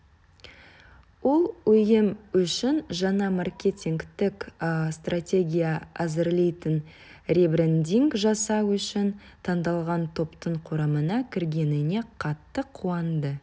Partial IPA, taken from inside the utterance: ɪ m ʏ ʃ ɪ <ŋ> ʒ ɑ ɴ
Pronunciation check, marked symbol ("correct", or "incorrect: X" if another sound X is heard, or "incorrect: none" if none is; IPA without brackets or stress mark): incorrect: n